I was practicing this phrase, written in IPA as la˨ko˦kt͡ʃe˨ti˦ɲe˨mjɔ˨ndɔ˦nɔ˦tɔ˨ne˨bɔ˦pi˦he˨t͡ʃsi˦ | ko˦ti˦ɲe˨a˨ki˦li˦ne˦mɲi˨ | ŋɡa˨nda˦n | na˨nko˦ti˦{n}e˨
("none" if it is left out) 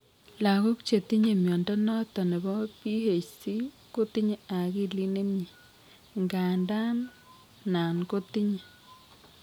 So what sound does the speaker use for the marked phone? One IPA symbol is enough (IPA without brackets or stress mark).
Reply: ɲ